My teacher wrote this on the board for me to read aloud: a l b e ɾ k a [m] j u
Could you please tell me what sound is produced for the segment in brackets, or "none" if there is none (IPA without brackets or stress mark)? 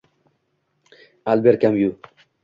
m